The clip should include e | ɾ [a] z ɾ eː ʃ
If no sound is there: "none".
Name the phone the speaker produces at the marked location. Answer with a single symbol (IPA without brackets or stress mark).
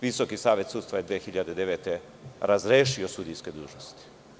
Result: a